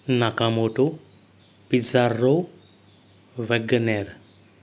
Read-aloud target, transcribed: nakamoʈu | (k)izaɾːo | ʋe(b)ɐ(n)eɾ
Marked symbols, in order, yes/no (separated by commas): no, no, yes